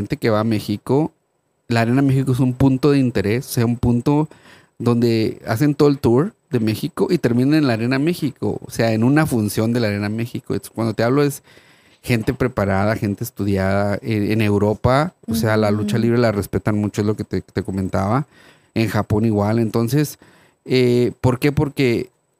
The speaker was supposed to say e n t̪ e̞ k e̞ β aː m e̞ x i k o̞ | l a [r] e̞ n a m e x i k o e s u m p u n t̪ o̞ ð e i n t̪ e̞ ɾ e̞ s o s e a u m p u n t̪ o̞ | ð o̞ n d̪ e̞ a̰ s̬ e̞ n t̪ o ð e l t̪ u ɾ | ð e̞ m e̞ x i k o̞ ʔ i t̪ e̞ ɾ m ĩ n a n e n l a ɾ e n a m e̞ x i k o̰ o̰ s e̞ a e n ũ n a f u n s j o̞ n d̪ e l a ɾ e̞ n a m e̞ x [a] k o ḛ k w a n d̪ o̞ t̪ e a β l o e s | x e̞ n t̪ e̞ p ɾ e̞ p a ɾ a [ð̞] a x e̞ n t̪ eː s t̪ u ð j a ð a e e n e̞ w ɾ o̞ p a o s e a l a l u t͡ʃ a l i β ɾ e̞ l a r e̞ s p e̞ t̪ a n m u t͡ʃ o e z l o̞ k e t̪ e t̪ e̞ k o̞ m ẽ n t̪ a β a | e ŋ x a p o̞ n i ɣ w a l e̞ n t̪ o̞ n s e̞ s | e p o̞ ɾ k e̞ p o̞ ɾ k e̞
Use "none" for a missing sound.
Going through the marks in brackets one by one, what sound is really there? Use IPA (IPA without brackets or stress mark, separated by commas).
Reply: ɾ, i, ð̞